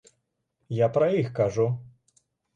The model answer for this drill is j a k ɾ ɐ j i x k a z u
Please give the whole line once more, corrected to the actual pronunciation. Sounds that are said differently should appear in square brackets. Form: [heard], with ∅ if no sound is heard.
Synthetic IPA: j a [p] ɾ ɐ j i x k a [ʐ] u